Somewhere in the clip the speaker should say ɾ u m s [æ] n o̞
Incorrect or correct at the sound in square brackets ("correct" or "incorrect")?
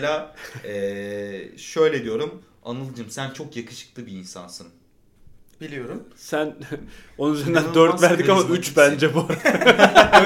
correct